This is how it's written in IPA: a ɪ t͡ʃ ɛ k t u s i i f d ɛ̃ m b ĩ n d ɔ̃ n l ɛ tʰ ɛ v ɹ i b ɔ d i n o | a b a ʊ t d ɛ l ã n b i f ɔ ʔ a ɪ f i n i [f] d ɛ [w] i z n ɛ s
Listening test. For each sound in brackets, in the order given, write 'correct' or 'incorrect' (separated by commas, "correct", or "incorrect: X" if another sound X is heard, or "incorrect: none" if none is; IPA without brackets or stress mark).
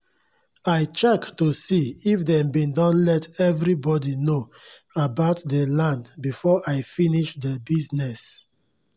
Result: incorrect: ʃ, incorrect: b